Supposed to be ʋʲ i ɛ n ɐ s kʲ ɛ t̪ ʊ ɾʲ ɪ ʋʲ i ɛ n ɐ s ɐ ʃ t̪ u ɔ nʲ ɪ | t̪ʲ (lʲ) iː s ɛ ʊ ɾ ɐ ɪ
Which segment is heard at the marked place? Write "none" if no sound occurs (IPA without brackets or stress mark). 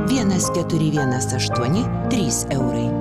ɾʲ